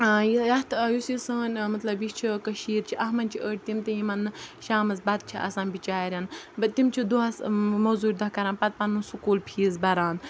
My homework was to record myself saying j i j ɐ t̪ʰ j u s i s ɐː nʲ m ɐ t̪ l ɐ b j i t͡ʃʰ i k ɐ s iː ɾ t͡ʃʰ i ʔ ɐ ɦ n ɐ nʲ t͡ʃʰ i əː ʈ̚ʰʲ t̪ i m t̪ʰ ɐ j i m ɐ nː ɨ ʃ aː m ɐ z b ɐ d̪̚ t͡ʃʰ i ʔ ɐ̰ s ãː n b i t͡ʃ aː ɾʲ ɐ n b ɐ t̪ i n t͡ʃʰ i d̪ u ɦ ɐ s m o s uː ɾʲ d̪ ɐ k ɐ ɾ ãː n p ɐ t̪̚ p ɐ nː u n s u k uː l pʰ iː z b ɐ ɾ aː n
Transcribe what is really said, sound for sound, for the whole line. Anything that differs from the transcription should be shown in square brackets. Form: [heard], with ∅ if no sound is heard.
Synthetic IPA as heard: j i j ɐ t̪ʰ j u s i s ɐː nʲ m ɐ t̪ l ɐ b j i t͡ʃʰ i k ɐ [ʃ] iː ɾ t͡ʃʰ i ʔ ɐ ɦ [m] ɐ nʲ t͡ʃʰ i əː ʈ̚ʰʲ t̪ i m [t̪] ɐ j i m ɐ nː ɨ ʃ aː m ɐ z b ɐ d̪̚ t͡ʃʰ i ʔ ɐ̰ s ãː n b i t͡ʃ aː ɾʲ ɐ n b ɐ t̪ i [m] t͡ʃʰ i d̪ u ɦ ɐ s m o [z] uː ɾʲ d̪ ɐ k ɐ ɾ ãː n p ɐ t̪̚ p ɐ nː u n s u k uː l pʰ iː z b ɐ ɾ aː n